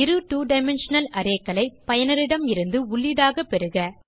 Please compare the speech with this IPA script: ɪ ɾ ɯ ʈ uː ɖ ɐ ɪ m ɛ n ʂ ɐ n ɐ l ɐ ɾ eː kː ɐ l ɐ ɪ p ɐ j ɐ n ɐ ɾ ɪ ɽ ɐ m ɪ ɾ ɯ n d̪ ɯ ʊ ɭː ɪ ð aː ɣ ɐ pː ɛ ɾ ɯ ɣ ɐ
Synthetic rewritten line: ɪ ɾ ɯ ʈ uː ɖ ɐ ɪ m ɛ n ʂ ɐ n ɐ l ɐ ɾ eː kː ɐ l ɐ ɪ p ɐ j ɐ n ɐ ɾ ɪ ɽ ɐ m ɪ ɾ ɯ n d̪ ɯ ʊ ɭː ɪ ð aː ɣ ɐ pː ɛ ɾ ɯ ɣ ɐ